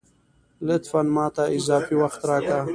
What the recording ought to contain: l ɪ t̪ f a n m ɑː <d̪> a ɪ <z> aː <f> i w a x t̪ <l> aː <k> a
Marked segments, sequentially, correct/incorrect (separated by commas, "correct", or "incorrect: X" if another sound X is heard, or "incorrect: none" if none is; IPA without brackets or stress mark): incorrect: t̪, correct, correct, incorrect: ɾ, correct